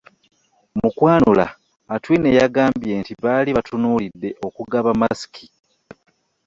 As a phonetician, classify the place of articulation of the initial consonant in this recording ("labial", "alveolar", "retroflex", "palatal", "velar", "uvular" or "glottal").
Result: labial